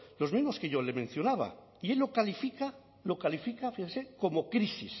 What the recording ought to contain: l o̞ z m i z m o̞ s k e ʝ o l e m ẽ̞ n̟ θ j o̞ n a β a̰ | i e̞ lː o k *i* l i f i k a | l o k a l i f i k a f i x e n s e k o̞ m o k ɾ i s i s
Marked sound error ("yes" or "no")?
yes